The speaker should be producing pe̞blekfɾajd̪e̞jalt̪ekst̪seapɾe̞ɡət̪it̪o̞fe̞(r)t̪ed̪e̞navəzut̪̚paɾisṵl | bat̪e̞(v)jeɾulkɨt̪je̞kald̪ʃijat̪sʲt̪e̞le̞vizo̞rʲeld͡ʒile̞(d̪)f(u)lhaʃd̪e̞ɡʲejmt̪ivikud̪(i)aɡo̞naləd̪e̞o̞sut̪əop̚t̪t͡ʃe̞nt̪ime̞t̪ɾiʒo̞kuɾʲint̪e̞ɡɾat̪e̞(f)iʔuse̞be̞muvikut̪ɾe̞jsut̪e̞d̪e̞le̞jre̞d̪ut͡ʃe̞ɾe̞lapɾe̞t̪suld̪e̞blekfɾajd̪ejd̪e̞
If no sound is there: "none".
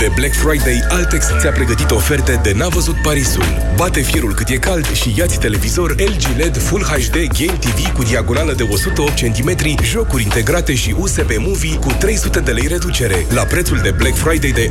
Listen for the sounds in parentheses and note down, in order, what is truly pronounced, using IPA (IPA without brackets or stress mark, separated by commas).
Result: r, f, d̪, u, i, ʃ